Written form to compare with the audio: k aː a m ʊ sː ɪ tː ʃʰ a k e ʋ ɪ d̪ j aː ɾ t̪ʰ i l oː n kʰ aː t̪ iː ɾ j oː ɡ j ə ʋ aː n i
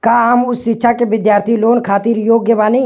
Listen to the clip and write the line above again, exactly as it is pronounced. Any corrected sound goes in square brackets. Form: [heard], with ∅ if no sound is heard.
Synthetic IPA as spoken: k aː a m ʊ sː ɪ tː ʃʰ a k e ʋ ɪ d̪ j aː ɾ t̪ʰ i l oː n kʰ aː t̪ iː ɾ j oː ɡ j ə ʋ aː n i

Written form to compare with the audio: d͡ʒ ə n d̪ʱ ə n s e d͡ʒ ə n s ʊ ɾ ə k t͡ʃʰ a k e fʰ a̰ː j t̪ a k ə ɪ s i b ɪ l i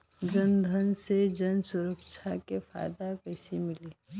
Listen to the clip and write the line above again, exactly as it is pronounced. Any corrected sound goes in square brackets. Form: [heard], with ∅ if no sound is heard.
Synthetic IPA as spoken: d͡ʒ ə n d̪ʱ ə n s e d͡ʒ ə n s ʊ ɾ ə k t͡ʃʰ a k e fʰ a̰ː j [d̪] a k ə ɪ s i [m] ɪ l i

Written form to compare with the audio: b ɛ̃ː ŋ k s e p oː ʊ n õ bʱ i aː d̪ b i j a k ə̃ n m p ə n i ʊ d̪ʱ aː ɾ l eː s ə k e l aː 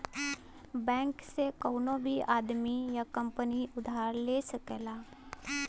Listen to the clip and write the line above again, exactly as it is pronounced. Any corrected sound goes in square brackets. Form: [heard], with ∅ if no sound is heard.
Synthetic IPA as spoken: b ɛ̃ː ŋ k s e [k] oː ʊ n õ bʱ i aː d̪ [m] i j a k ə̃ [∅] m p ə n i ʊ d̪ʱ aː ɾ l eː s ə k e l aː

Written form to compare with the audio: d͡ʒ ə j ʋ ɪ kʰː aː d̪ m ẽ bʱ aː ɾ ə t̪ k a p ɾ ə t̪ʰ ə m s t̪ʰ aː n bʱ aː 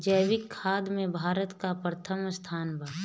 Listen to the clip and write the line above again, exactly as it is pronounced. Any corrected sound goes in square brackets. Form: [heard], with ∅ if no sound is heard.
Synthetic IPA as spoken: d͡ʒ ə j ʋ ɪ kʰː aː d̪ m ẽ bʱ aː ɾ ə t̪ k a p ɾ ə t̪ʰ ə m s t̪ʰ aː n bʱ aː

